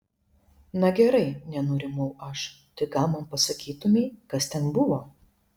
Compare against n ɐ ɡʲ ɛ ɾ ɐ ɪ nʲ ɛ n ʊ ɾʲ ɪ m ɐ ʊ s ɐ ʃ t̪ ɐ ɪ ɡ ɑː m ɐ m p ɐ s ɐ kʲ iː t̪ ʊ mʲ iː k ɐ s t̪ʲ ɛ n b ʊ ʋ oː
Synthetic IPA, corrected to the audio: n ɐ ɡʲ ɛ ɾ ɐ ɪ nʲ ɛ n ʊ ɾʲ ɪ m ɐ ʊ ɐ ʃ t̪ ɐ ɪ ɡ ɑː m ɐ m p ɐ s ɐ kʲ iː t̪ ʊ mʲ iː k ɐ s t̪ʲ ɛ n b ʊ ʋ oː